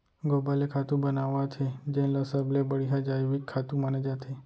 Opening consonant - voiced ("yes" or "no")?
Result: yes